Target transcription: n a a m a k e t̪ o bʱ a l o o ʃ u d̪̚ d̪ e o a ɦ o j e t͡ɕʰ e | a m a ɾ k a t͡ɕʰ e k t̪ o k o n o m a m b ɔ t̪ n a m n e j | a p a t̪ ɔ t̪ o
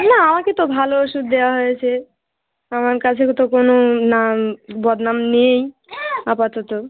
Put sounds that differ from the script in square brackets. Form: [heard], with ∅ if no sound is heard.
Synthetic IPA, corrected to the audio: n a a m a k e t̪ o bʱ a l o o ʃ u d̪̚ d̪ e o a ɦ o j e t͡ɕʰ e | a m a ɾ k a t͡ɕʰ e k t̪ o k o n o [n] a m b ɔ [d̪] n a m n e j | a p a t̪ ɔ t̪ o